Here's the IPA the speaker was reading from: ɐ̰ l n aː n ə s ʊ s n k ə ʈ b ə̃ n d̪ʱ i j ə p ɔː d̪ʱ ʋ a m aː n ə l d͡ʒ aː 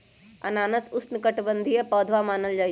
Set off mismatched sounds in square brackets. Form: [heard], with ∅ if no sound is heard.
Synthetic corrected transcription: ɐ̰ [∅] n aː n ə s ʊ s n k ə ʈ b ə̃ n d̪ʱ i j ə p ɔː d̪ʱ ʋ a m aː n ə l d͡ʒ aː